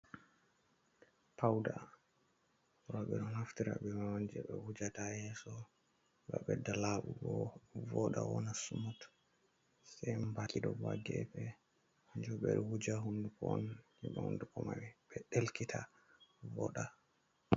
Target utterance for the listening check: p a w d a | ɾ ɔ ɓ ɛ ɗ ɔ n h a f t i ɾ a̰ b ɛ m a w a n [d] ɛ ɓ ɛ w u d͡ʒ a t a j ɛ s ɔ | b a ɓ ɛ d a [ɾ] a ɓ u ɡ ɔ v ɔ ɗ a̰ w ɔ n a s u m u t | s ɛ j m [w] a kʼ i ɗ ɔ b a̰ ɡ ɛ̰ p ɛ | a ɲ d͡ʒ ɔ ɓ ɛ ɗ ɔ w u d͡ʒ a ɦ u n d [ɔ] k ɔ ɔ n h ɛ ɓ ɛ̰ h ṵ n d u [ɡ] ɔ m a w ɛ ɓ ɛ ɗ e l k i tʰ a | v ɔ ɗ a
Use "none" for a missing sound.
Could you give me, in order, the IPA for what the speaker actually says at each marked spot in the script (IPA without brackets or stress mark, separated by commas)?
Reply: d͡ʒ, l, b, u, k